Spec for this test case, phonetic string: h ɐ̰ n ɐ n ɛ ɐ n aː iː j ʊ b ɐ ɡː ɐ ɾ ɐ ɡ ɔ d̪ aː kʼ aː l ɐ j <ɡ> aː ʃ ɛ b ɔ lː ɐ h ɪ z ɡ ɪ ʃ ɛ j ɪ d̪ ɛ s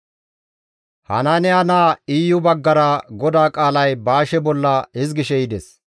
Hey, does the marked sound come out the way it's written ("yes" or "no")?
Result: no